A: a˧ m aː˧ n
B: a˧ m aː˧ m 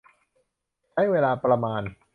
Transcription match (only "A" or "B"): A